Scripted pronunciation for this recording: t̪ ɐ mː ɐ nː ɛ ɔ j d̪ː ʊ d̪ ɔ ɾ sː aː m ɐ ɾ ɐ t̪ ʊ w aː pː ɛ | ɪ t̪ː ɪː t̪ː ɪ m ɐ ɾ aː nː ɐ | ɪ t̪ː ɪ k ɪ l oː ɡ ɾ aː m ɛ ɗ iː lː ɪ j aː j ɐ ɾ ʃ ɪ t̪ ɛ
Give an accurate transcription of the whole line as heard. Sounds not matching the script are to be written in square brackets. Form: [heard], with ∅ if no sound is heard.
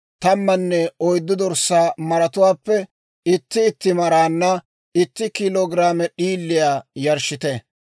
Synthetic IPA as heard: t̪ ɐ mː ɐ nː ɛ ɔ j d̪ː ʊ d̪ ɔ ɾ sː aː m ɐ ɾ ɐ t̪ ʊ w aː pː ɛ | ɪ t̪ː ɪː t̪ː ɪ m ɐ ɾ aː nː ɐ | ɪ t̪ː ɪ k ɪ l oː ɡ ɾ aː m ɛ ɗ iː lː ɪ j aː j ɐ ɾ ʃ ɪ t̪ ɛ